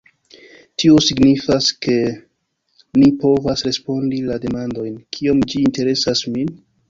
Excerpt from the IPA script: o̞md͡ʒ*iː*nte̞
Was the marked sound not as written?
no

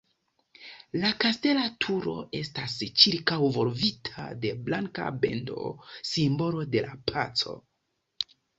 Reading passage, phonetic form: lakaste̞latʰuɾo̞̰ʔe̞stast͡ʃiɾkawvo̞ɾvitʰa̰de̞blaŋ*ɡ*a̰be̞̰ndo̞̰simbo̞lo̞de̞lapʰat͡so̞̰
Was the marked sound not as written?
yes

